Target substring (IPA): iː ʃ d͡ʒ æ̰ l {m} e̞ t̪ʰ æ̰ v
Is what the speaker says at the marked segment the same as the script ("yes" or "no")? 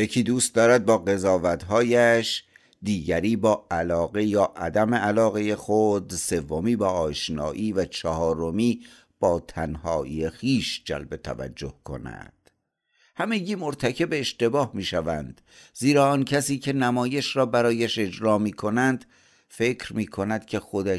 no